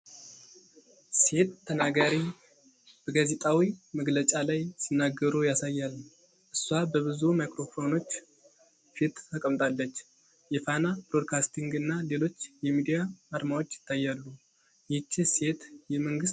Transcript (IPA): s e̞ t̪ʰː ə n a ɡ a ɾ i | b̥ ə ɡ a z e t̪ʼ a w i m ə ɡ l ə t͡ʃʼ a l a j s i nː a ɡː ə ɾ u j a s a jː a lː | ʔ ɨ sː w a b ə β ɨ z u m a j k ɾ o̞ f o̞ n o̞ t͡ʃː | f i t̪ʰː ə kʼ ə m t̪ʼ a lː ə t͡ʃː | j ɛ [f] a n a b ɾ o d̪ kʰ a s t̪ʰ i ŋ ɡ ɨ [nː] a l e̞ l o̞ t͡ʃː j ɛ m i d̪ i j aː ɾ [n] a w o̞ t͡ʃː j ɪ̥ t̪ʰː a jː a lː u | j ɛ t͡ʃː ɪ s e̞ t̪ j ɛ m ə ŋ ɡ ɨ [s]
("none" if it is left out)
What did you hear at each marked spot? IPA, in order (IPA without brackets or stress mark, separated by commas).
f, nː, m, s